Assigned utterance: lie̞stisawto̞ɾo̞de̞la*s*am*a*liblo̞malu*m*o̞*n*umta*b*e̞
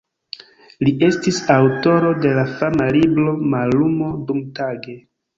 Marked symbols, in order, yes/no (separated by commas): no, yes, yes, no, no